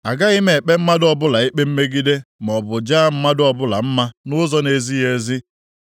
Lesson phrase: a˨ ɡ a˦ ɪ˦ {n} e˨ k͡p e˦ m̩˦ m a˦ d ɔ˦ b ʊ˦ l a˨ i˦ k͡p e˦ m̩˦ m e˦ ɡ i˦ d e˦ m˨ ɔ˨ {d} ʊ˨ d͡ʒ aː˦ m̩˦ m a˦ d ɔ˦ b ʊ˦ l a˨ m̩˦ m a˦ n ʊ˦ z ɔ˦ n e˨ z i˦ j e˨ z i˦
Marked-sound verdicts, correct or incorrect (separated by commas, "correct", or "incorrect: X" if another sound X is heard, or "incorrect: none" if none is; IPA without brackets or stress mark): incorrect: m, incorrect: b